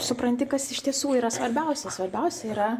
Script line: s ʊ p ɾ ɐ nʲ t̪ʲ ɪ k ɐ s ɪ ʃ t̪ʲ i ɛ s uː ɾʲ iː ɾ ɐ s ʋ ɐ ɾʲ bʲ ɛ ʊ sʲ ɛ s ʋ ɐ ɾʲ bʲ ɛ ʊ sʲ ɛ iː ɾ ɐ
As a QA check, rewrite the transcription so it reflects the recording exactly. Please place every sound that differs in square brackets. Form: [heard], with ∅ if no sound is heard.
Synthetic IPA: s ʊ p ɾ ɐ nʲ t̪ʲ ɪ k ɐ s ɪ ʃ t̪ʲ i ɛ s uː [∅] iː ɾ ɐ s ʋ ɐ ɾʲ bʲ ɛ ʊ sʲ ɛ s ʋ ɐ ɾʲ bʲ ɛ ʊ sʲ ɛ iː ɾ ɐ